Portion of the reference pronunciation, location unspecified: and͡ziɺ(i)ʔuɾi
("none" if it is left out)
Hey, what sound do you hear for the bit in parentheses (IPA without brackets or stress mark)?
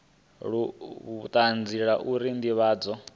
a